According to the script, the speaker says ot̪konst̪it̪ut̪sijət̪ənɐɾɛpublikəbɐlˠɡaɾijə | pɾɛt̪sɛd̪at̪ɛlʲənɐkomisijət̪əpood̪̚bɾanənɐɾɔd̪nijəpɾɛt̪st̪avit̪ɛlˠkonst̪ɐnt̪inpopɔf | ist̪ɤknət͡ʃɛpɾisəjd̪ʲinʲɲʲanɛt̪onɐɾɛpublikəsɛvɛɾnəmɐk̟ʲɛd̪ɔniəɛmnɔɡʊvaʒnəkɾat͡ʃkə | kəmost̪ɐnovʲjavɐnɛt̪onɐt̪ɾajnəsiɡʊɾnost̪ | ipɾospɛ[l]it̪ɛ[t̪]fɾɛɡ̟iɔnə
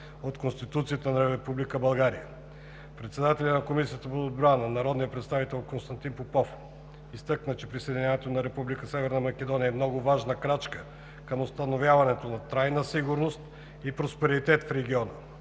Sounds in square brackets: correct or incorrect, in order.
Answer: incorrect, correct

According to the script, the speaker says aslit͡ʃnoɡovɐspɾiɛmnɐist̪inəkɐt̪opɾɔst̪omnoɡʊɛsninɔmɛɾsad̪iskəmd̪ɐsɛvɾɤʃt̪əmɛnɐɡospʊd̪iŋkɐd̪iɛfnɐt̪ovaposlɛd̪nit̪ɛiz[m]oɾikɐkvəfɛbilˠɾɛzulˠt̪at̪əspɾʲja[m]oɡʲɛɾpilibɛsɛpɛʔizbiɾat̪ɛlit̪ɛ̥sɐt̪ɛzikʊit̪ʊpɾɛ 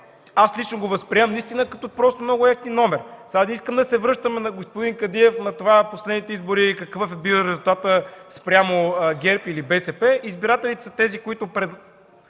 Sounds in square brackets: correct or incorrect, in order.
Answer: incorrect, correct

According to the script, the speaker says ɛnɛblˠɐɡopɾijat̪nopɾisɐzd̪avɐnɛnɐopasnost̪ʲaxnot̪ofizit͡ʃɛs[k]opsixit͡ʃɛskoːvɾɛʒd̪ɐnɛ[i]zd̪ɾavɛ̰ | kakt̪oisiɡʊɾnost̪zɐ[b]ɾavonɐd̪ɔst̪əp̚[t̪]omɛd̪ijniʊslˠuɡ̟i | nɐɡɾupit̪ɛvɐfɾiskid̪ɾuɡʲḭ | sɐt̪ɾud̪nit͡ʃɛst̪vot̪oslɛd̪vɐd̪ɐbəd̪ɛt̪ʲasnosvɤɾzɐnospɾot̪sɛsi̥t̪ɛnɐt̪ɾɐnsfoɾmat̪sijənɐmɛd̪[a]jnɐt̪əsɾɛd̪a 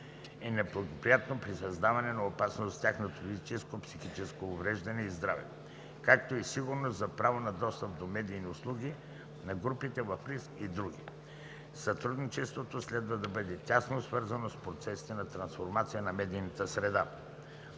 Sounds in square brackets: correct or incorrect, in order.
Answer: correct, correct, incorrect, incorrect, incorrect

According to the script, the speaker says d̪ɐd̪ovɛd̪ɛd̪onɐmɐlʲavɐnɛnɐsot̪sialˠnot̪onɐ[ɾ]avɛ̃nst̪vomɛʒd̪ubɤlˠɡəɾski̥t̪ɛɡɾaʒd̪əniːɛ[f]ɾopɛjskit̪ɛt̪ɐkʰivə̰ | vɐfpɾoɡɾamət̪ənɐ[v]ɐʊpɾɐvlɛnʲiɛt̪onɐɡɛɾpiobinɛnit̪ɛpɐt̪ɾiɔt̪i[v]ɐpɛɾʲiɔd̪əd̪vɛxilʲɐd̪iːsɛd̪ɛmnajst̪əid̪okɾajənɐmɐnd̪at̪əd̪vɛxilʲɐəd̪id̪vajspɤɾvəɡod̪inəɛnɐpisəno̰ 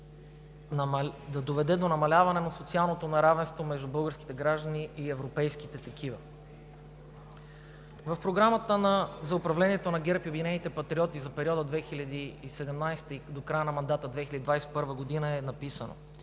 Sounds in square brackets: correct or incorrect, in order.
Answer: correct, incorrect, incorrect, incorrect

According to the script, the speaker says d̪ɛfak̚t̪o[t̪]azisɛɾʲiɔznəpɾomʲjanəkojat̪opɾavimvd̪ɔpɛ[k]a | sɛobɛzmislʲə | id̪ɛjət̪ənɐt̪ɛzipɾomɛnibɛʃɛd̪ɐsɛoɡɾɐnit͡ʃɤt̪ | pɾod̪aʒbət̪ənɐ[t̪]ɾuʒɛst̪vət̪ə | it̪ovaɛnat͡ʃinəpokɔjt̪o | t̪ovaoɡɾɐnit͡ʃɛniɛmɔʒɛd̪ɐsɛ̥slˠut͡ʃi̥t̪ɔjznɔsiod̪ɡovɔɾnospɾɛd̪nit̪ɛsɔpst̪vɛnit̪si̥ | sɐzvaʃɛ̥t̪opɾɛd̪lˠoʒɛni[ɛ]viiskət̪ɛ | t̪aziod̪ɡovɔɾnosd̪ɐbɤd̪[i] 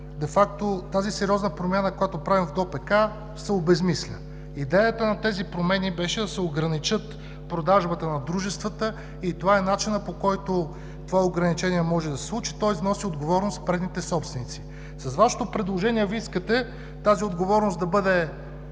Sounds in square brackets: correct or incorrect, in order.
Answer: correct, correct, incorrect, correct, incorrect

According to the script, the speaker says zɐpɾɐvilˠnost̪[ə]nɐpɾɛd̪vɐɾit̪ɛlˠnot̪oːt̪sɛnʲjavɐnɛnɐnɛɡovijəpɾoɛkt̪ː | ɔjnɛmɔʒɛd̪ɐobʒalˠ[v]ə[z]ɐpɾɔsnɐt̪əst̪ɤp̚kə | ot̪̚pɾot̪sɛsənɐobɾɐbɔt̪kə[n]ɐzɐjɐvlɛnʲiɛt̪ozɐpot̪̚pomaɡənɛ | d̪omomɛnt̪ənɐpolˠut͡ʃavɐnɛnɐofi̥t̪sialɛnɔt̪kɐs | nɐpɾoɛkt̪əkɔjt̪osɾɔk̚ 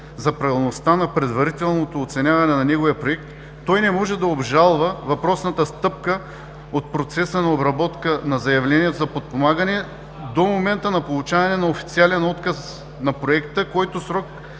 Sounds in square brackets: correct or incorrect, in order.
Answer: incorrect, correct, incorrect, correct

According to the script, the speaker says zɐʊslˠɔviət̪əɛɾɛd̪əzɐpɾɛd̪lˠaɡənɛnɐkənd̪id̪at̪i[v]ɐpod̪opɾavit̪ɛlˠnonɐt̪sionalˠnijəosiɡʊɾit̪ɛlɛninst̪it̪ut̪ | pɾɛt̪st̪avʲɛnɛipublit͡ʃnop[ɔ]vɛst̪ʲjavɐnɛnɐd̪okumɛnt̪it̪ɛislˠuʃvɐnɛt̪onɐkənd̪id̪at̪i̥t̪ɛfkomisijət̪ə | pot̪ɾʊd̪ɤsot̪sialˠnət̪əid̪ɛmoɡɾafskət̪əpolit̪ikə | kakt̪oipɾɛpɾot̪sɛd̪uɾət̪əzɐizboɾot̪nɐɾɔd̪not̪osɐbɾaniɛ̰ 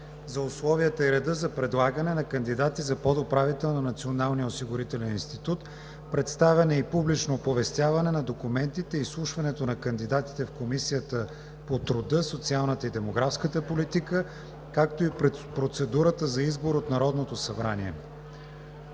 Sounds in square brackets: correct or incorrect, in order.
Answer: incorrect, incorrect

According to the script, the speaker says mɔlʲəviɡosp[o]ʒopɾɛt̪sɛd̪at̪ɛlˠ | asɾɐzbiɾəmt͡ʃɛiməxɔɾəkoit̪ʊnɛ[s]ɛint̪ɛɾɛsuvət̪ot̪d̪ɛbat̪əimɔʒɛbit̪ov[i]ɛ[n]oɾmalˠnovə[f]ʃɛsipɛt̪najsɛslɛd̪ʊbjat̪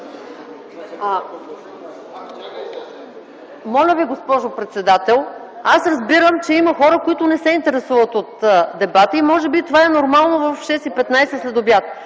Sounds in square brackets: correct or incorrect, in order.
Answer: incorrect, correct, incorrect, correct, correct

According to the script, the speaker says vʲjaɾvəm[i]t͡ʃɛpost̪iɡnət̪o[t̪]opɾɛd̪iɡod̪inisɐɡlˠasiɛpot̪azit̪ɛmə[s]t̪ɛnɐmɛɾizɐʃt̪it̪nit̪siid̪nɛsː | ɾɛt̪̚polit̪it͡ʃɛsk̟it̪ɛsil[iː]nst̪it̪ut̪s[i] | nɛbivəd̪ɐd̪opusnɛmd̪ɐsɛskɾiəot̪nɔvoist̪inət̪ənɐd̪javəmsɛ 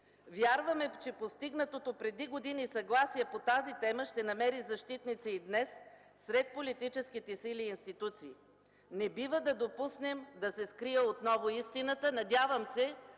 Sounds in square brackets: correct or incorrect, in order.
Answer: incorrect, correct, incorrect, correct, incorrect

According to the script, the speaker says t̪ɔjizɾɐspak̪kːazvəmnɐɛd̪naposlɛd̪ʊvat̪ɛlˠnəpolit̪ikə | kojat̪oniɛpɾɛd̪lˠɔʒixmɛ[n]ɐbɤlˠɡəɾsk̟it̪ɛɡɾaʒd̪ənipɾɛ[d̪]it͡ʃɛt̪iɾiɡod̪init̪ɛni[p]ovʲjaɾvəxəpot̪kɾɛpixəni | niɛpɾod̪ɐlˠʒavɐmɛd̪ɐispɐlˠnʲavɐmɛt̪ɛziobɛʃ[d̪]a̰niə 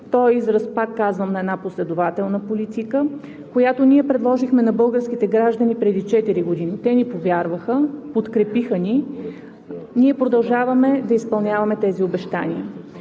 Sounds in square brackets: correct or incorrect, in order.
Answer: correct, correct, correct, incorrect

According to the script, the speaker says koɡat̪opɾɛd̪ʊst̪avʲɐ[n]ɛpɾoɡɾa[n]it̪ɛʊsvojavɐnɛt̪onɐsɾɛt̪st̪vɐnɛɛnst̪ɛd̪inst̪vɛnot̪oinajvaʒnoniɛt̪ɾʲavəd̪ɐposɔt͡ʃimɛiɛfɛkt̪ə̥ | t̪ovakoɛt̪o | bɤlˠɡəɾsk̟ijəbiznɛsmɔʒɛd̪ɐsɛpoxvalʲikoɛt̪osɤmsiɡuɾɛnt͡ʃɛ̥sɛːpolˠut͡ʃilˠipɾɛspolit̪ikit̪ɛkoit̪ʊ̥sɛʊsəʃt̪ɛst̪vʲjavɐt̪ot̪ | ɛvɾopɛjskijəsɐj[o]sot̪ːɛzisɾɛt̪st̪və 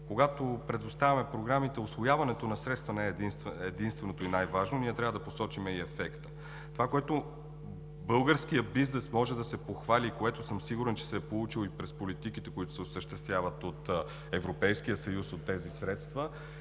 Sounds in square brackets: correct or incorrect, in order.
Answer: incorrect, incorrect, incorrect

